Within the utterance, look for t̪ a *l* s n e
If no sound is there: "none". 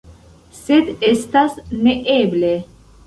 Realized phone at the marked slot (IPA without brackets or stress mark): none